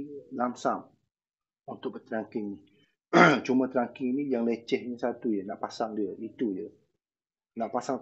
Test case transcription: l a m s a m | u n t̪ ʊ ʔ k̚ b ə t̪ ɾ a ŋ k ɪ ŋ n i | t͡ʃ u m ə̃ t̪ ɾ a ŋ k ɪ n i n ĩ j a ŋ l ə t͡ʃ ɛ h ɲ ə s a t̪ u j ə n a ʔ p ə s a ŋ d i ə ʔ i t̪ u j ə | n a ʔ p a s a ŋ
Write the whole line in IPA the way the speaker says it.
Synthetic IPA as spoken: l a m s a m | u n t̪ ʊ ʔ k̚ b ə t̪ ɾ a ŋ k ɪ ŋ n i | t͡ʃ u m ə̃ t̪ ɾ a ŋ k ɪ ŋ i n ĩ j a ŋ l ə t͡ʃ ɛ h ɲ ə s a t̪ u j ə n a ʔ p a s a ŋ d i ə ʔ i t̪ u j ə | n a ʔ p a s a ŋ